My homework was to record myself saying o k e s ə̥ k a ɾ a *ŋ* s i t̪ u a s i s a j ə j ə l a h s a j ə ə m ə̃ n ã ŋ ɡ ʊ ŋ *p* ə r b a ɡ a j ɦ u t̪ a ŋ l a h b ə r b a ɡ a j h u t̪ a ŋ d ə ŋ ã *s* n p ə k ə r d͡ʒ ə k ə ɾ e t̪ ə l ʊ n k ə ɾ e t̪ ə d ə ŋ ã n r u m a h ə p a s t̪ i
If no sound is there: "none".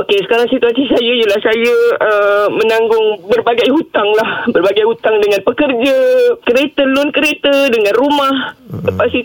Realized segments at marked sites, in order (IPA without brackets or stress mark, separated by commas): ŋ, b, none